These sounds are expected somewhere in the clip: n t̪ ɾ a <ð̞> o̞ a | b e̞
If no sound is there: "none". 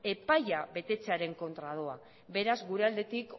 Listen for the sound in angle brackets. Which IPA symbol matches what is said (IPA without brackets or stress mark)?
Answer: ð̞